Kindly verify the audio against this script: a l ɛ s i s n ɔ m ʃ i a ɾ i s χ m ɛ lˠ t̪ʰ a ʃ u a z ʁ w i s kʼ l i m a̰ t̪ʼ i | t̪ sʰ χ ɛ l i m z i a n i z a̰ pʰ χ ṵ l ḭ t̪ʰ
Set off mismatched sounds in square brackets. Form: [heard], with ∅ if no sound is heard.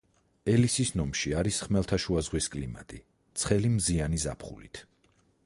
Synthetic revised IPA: [ɛ] l [i] s i s n ɔ m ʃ i a ɾ i s χ m ɛ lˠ t̪ʰ a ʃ u a z ʁ w i s kʼ l i m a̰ t̪ʼ i | t̪ sʰ χ ɛ l i m z i a n i z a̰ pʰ χ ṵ l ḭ t̪ʰ

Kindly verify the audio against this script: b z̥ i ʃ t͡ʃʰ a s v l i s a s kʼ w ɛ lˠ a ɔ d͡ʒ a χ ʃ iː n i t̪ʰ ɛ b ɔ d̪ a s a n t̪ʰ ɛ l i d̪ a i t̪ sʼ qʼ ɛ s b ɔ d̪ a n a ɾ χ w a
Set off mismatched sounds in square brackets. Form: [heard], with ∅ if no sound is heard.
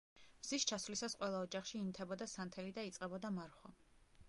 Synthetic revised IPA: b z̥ i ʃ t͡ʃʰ a s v l i s a s [qʼ] w ɛ lˠ a ɔ d͡ʒ a χ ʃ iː n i t̪ʰ ɛ b ɔ d̪ a s a n t̪ʰ ɛ l i d̪ a i t̪ sʼ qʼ ɛ [∅] b ɔ d̪ a [m] a ɾ χ w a

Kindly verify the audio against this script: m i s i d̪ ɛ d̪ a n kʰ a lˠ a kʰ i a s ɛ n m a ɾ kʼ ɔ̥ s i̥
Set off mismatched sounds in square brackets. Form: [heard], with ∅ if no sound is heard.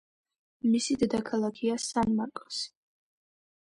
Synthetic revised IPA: m i s i d̪ ɛ d̪ a [∅] kʰ a lˠ a kʰ i a s [a] n m a ɾ kʼ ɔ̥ s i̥

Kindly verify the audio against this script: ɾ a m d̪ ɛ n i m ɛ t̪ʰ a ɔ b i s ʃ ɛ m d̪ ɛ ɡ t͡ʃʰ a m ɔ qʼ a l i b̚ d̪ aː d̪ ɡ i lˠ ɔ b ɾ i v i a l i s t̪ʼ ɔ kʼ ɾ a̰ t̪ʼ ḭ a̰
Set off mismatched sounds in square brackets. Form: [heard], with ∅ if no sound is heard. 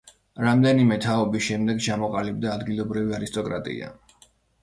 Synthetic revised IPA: ɾ a m d̪ ɛ n i m ɛ t̪ʰ a ɔ b i s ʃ ɛ m d̪ ɛ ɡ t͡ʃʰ a m ɔ qʼ a l i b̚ d̪ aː d̪ ɡ i lˠ ɔ b ɾ i v i a [ɾ] i s t̪ʼ ɔ kʼ ɾ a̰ t̪ʼ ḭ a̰

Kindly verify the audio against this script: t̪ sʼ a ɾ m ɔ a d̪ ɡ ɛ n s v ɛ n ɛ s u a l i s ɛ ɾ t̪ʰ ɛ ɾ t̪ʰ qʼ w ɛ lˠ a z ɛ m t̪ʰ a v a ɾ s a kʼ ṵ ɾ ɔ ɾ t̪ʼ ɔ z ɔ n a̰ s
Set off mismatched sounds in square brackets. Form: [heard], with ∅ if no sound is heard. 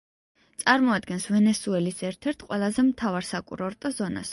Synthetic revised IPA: t̪ sʼ a ɾ m ɔ a d̪ ɡ ɛ n s v ɛ n ɛ s u [ɛ] l i s ɛ ɾ t̪ʰ ɛ ɾ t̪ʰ qʼ w ɛ lˠ a z ɛ m t̪ʰ a v a ɾ s a kʼ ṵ ɾ ɔ ɾ t̪ʼ ɔ z ɔ n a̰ s

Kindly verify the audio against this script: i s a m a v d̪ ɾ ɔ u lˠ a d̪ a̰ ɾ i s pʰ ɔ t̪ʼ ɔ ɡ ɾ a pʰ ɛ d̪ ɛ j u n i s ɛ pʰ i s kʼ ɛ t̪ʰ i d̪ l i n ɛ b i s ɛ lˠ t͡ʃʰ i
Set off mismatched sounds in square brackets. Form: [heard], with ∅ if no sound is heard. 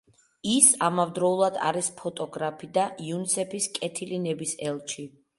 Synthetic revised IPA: i s a m a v d̪ ɾ ɔ u lˠ a d̪ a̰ ɾ i s pʰ ɔ t̪ʼ ɔ ɡ ɾ a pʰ [i] d̪ [a] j u n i s ɛ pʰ i s kʼ ɛ t̪ʰ i [∅] l i n ɛ b i s ɛ lˠ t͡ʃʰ i

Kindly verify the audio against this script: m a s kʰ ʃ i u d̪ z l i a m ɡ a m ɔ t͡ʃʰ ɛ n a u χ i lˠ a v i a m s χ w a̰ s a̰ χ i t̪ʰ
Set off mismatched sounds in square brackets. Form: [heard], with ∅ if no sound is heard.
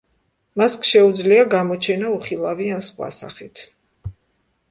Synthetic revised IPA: m a s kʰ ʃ [ɛ] u d̪ z l i a [∅] ɡ a m ɔ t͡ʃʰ ɛ n a u χ i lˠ a v i a [n] s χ w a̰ s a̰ χ i t̪ʰ

